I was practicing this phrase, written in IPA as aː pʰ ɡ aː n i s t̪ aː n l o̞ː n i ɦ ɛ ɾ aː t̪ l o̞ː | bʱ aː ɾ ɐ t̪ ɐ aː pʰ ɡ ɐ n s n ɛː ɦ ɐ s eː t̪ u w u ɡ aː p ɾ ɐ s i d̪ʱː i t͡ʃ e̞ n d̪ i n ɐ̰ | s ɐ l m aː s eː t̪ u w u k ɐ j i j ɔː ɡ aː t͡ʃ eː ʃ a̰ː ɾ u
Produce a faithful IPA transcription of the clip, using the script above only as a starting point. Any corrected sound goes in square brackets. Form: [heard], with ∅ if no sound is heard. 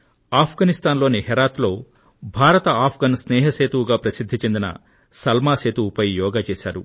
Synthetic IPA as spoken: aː pʰ ɡ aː n i s t̪ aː n l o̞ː n i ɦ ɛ ɾ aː t̪ l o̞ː | bʱ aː ɾ ɐ t̪ ɐ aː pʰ ɡ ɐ n s n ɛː ɦ ɐ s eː t̪ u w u ɡ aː p ɾ ɐ s i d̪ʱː i t͡ʃ e̞ n d̪ i n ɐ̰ | s ɐ l m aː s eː t̪ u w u [p] ɐ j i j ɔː ɡ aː t͡ʃ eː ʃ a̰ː ɾ u